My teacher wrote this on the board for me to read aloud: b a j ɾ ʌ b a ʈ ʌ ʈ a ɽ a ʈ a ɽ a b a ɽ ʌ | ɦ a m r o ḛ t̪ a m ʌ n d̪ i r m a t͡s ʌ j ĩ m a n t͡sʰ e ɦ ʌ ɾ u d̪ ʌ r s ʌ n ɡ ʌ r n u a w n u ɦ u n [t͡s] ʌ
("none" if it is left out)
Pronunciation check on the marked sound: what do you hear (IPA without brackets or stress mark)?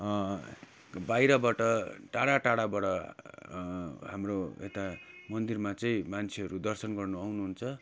t͡sʰ